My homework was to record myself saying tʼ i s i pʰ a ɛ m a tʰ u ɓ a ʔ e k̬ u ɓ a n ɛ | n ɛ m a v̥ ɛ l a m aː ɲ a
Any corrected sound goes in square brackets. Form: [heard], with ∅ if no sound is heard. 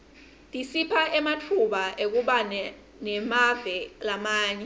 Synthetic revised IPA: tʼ i s i pʰ a ɛ m a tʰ u ɓ a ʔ e k̬ u ɓ a n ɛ | n ɛ m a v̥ ɛ l a m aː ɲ [ɛ]

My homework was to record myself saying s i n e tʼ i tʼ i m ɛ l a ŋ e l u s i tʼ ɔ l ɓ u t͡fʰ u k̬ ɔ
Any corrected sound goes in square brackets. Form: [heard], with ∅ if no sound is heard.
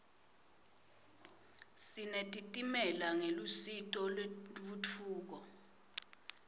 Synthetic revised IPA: s i n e tʼ i tʼ i m ɛ l a ŋ e l u s i tʼ ɔ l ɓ u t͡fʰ [uː] k̬ ɔ

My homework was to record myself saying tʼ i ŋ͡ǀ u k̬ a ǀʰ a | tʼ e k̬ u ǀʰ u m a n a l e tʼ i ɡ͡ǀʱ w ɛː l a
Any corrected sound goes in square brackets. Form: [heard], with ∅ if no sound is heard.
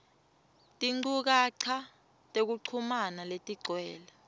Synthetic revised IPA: tʼ i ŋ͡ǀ u k̬ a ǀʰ a | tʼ e k̬ u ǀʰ u m a n a l e tʼ i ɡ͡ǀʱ w ɛː l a

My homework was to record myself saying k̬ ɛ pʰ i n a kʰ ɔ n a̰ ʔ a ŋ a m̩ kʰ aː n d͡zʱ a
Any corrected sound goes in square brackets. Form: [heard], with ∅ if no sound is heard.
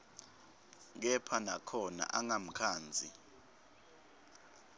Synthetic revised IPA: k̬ ɛ pʰ [a] n a kʰ ɔ n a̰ ʔ a ŋ a m̩ kʰ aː n d͡zʱ [i]

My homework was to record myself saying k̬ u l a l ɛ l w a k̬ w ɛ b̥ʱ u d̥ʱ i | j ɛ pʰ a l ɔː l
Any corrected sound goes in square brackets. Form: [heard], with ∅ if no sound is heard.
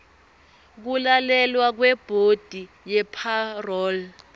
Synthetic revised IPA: k̬ u l a l ɛ l w a k̬ w ɛ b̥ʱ [o] d̥ʱ i | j ɛ pʰ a [r] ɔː l

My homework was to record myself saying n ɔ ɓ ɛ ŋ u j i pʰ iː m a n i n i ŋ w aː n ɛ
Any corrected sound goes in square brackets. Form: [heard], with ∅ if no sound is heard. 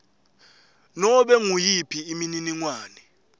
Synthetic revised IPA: n ɔ ɓ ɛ ŋ u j i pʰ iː m [i] n i n i ŋ w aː n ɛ

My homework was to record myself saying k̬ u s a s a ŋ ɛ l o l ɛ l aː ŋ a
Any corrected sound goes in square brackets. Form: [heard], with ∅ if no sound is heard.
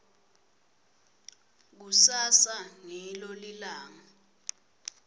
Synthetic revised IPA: k̬ u s a s a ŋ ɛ l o l [i] l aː ŋ a

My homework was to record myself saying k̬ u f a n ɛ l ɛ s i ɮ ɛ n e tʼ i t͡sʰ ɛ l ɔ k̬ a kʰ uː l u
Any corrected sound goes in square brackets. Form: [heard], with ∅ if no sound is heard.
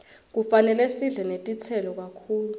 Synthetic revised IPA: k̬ u f a n ɛ l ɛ s i ɮ ɛ n e tʼ i t͡sʰ ɛ l ɔ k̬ a kʰ uː l u

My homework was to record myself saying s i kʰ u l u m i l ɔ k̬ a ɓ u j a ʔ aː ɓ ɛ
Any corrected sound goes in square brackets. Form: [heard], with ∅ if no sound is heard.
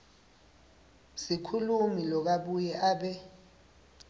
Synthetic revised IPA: s i kʰ u l u m i l ɔ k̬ a ɓ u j [ɛ] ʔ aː ɓ ɛ

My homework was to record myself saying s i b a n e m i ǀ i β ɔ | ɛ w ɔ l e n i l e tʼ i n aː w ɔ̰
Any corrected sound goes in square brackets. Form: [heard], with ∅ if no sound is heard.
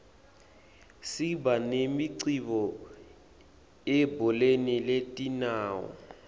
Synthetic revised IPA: s i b a n e m i ǀ i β ɔ | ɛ [b] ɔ l e n i l e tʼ i n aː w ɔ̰

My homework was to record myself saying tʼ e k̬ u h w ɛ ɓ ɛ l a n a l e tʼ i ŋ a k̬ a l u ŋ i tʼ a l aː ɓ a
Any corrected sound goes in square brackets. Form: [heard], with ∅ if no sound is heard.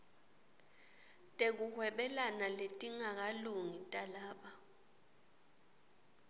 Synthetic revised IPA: tʼ e k̬ u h w ɛ ɓ ɛ l a n a l e tʼ i ŋ a k̬ a l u ŋ i tʼ a l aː ɓ a

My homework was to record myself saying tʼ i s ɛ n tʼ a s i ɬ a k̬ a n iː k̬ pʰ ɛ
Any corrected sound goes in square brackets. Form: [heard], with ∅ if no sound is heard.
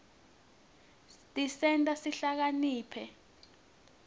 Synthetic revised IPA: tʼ i s ɛ n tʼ a s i ɬ a k̬ a n iː [∅] pʰ ɛ

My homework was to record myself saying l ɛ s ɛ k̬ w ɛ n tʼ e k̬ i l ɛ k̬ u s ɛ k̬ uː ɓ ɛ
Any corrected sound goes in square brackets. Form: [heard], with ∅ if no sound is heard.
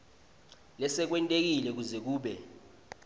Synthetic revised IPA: l ɛ s ɛ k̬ w ɛ n tʼ e k̬ i l ɛ k̬ u [z] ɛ k̬ uː ɓ ɛ

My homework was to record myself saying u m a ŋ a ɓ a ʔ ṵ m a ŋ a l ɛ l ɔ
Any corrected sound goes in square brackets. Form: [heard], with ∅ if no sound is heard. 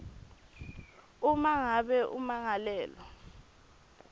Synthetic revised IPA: u m a ŋ a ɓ [ɛ] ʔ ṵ m a ŋ a l [ɛː] l ɔ

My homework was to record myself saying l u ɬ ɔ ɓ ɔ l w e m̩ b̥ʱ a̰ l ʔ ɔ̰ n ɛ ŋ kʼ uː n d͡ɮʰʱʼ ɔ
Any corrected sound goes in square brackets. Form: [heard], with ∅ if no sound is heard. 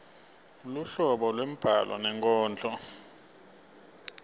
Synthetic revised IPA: l u ɬ ɔ ɓ ɔ l w e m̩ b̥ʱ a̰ l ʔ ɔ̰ n ɛ ŋ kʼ [ɔː] n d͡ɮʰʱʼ ɔ

